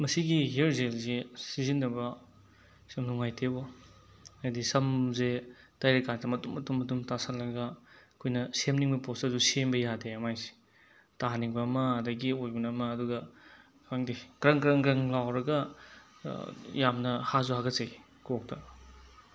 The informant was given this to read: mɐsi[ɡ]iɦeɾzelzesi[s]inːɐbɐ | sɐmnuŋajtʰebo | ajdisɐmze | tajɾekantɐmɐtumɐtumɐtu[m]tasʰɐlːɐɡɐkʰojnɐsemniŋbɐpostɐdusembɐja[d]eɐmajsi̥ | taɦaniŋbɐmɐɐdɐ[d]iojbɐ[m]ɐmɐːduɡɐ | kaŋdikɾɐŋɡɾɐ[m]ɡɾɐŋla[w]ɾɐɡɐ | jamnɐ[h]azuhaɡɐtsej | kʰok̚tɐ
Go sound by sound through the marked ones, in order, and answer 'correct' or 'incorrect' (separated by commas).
correct, incorrect, correct, correct, incorrect, incorrect, incorrect, correct, correct